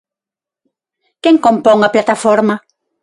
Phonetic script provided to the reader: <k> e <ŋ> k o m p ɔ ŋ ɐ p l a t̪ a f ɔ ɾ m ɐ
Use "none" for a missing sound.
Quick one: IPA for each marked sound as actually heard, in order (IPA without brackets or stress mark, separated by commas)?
k, ŋ